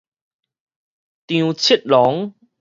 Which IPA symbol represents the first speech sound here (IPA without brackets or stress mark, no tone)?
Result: t̪